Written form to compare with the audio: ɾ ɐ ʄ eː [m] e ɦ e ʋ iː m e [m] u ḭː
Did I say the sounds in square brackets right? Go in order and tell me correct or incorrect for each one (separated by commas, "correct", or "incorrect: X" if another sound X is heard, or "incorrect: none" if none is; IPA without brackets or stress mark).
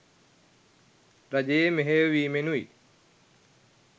correct, incorrect: n